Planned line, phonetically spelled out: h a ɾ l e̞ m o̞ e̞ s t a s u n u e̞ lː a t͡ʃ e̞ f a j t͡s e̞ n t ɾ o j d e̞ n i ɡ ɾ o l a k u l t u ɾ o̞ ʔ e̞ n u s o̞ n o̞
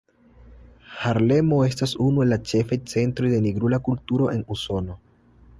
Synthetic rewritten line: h a ɾ l e̞ m o̞ e̞ s t a s u n u e̞ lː a t͡ʃ e̞ f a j t͡s e̞ n t ɾ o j d e̞ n i ɡ ɾ u l a k u l t u ɾ o̞ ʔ e̞ n u s o̞ n o̞